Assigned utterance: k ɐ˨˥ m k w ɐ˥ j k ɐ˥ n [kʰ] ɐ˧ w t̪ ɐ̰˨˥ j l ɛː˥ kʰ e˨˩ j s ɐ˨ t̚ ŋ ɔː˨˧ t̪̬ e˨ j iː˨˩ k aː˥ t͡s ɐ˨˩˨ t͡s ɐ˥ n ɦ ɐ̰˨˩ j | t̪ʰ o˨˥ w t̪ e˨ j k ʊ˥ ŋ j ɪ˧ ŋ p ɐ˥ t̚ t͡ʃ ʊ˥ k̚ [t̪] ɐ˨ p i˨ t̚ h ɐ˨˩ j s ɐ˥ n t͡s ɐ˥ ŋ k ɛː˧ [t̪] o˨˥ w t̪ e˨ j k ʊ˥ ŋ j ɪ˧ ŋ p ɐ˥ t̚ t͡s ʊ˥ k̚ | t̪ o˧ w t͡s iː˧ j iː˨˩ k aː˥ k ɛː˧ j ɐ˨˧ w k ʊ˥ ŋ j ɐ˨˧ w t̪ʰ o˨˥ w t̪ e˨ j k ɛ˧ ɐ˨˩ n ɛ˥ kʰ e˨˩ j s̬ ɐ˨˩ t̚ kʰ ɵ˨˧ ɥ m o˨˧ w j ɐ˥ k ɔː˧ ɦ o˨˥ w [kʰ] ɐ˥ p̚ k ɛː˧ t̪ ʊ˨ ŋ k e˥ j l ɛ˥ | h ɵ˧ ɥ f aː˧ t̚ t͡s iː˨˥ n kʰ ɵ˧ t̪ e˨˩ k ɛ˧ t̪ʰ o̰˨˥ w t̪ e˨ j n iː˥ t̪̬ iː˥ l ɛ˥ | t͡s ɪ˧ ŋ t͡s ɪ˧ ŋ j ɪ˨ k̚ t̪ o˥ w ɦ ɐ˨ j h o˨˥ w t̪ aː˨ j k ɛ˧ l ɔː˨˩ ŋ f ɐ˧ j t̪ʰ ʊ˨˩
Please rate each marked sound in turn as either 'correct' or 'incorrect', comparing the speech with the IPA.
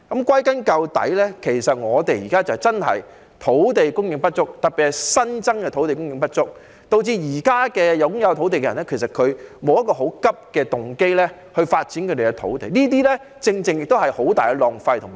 incorrect: k, correct, incorrect: t̪ʰ, incorrect: k

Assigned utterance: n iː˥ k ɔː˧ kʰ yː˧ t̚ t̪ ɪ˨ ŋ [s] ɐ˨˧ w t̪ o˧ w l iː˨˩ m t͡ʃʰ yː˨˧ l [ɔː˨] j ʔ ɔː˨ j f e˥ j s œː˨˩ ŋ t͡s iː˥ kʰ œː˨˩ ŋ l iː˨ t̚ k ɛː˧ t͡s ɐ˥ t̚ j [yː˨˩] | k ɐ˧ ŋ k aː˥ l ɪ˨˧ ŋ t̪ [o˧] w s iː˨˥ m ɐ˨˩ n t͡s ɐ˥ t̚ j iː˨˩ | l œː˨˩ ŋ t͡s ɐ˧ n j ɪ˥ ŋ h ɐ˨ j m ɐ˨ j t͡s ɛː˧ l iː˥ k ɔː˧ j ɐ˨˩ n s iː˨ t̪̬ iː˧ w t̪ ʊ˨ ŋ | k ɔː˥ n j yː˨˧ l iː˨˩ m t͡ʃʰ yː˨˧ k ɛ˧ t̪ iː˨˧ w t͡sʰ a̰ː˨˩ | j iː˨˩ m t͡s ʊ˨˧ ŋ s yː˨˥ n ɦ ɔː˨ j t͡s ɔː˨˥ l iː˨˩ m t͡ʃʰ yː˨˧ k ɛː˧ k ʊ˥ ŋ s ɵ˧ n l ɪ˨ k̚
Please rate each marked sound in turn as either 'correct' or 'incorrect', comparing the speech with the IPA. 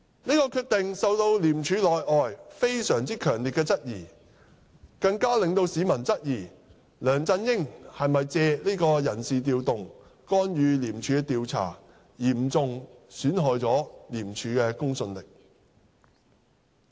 correct, correct, incorrect: iː˨˩, correct

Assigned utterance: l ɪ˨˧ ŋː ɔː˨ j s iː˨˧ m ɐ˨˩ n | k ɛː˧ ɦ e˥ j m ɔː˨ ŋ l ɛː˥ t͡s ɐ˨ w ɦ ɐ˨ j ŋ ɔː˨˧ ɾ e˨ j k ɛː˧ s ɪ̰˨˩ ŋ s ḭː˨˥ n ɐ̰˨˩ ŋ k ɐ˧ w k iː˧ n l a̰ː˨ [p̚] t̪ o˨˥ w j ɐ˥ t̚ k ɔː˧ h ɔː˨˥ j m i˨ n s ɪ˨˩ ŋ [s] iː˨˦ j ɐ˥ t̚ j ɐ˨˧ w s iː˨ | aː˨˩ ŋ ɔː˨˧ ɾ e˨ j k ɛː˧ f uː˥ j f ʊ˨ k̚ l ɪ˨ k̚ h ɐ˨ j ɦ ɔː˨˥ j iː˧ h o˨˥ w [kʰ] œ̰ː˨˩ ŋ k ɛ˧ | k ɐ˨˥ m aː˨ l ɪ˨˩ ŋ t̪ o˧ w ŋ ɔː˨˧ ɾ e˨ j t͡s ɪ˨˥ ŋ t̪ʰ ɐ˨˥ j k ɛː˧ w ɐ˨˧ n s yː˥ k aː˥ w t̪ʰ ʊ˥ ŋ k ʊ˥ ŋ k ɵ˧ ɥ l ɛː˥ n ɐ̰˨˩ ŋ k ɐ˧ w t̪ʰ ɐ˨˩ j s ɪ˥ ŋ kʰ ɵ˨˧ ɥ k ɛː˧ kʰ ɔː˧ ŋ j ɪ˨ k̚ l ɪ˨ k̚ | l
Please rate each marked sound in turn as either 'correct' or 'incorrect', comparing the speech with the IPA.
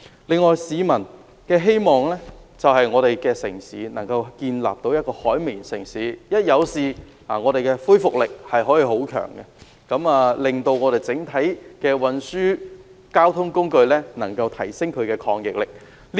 correct, correct, correct

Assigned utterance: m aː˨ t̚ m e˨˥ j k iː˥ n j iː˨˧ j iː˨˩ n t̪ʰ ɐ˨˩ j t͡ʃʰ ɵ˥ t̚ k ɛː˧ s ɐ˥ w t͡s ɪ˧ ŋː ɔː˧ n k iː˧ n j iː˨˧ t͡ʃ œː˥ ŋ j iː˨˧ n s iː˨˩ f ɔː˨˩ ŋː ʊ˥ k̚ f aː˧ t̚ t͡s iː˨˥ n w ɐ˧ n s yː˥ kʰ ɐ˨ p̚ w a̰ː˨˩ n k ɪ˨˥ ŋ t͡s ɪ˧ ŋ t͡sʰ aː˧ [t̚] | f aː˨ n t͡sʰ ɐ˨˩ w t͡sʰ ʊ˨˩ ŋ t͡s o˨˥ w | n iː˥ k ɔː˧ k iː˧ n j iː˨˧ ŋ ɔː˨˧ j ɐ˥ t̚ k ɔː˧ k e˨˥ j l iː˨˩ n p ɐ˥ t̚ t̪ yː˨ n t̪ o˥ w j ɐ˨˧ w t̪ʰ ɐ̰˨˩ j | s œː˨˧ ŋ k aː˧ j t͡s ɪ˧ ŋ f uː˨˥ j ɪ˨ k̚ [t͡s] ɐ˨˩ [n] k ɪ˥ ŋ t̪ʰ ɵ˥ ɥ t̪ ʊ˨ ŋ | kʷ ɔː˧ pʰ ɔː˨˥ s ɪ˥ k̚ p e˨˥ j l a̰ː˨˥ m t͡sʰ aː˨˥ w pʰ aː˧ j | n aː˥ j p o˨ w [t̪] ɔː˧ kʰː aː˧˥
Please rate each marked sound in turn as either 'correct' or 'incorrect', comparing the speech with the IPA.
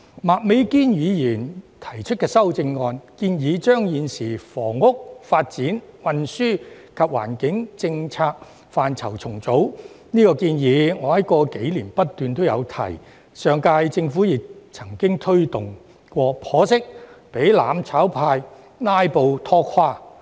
incorrect: k̚, incorrect: t͡sʰ, incorrect: ŋ, incorrect: t̪ʰ

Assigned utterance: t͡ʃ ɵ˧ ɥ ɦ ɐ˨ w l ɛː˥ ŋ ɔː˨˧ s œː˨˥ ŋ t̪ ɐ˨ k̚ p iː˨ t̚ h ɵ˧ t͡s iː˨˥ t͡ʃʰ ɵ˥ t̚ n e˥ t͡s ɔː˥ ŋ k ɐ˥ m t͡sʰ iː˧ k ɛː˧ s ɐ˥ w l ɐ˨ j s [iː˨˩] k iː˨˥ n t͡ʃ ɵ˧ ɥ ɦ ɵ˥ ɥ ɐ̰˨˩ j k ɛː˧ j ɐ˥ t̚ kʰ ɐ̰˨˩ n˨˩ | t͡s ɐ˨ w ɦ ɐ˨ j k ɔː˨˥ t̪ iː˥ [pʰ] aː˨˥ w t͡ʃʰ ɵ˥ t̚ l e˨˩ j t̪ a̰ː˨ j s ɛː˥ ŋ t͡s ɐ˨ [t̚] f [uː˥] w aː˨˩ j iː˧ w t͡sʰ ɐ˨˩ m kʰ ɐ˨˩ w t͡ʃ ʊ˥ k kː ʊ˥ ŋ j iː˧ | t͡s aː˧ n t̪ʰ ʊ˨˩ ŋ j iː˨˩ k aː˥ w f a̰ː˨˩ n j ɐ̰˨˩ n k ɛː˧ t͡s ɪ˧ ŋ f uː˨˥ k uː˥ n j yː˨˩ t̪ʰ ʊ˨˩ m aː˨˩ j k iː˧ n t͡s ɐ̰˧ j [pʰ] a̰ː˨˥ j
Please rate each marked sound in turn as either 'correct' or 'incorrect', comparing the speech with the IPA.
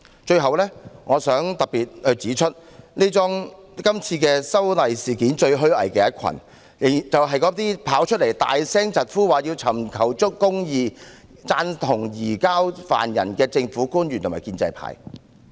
correct, correct, correct, correct, correct

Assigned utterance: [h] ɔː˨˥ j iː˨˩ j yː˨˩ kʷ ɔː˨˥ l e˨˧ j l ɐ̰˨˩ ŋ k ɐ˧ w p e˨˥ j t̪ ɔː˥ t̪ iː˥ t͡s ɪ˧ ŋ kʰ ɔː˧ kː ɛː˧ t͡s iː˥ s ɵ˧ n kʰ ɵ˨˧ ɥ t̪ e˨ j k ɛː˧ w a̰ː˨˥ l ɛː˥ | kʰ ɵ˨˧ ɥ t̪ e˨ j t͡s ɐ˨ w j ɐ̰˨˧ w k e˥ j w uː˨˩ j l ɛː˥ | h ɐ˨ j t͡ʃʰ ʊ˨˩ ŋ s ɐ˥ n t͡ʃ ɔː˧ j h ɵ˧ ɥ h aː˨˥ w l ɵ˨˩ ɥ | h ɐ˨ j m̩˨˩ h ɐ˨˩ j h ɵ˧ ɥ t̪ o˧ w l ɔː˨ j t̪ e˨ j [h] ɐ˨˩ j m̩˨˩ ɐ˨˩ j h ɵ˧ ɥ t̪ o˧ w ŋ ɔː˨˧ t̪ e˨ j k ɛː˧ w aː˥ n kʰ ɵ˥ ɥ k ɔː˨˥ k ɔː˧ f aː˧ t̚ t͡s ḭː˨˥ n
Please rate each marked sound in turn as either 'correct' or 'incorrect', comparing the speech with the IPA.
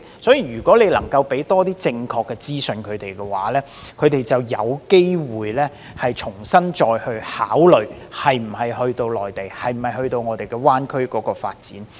incorrect: s, correct

